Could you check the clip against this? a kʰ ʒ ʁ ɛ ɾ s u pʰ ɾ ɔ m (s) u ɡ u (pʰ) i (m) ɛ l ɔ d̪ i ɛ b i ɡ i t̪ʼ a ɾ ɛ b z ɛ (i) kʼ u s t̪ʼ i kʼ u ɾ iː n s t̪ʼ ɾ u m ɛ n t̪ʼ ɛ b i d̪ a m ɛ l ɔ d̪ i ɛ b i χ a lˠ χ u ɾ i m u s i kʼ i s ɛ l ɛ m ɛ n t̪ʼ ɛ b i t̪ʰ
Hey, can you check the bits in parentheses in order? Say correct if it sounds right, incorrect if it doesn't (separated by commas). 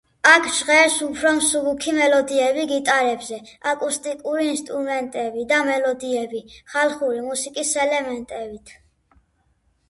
correct, incorrect, correct, incorrect